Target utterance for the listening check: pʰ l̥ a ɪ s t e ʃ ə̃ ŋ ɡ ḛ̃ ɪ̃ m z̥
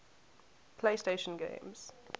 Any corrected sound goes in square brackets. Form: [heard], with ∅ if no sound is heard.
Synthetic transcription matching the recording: pʰ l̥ [e] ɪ s t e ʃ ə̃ [n] ɡ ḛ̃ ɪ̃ m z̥